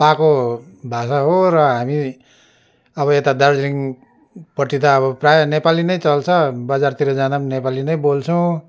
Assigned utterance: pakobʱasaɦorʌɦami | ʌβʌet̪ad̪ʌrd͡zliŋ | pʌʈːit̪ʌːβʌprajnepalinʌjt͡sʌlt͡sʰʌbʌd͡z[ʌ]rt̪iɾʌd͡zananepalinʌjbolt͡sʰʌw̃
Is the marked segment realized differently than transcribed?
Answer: yes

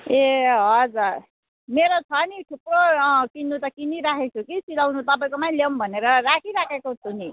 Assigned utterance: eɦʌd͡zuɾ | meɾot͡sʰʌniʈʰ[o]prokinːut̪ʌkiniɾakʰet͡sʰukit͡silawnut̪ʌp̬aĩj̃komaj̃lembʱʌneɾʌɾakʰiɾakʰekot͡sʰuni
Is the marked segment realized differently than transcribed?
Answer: yes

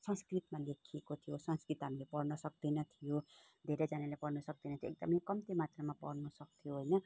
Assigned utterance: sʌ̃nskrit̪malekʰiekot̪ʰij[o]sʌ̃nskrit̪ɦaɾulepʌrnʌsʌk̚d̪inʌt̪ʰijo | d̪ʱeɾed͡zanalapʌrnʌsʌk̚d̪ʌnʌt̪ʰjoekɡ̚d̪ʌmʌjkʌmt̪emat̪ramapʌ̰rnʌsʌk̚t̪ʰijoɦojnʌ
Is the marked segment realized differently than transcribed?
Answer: no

